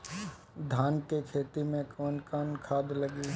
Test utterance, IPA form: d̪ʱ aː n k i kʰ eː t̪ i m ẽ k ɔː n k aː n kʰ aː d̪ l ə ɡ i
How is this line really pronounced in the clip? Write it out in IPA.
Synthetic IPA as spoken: d̪ʱ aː n k e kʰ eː t̪ i m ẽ k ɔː n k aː n kʰ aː d̪ l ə ɡ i